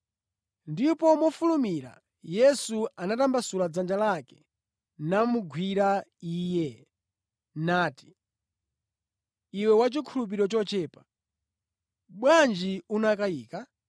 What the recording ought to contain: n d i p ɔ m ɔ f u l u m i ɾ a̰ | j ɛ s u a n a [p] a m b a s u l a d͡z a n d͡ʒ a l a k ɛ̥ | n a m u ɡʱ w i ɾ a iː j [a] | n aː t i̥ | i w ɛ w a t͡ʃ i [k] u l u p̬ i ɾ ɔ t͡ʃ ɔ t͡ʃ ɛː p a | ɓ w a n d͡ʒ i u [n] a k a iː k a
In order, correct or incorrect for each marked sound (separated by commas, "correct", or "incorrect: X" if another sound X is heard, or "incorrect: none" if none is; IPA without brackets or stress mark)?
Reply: incorrect: t, incorrect: ɛ, incorrect: kʰ, correct